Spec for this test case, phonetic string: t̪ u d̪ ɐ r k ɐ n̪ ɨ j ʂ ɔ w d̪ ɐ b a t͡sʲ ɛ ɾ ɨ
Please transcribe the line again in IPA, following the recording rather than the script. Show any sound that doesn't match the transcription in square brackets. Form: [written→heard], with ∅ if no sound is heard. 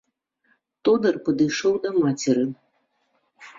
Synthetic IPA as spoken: t̪ [u→ɔ] d̪ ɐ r [k→p] ɐ [n̪→d̪] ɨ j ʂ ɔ w d̪ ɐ [b→m] a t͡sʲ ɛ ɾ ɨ